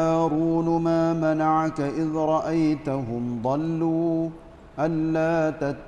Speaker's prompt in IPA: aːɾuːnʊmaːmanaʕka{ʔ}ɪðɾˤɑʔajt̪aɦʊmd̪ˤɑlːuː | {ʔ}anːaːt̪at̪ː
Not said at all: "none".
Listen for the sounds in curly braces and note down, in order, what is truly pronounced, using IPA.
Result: ʔ, ʔ

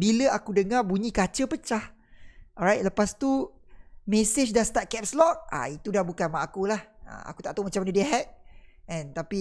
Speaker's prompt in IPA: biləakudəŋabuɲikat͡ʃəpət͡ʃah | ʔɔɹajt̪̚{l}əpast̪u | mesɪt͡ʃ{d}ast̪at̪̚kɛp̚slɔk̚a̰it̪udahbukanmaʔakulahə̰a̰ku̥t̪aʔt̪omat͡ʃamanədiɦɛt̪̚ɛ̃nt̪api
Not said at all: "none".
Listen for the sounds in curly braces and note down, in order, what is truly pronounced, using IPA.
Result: l, d

